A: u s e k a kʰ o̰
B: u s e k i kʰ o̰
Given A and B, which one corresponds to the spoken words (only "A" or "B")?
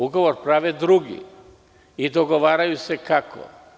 A